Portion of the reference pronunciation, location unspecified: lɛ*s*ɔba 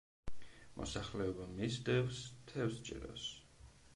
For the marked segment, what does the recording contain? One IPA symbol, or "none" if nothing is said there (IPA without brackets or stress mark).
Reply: none